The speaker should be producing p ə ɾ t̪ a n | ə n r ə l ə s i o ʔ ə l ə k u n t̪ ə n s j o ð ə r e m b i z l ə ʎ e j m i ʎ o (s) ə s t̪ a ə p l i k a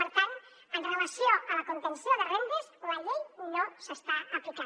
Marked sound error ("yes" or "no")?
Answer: no